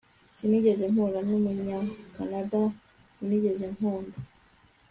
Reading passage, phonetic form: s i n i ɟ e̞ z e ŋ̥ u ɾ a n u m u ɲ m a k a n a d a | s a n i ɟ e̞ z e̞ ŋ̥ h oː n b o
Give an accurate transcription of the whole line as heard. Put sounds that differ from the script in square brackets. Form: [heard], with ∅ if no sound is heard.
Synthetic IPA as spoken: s i n i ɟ e̞ z e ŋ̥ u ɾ a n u m u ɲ [ɲ] a k a n a d a | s [i] n i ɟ e̞ z e̞ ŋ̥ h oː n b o